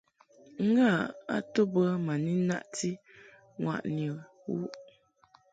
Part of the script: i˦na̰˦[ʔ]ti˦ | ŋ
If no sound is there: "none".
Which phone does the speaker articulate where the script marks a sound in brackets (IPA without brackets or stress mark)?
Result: ʔ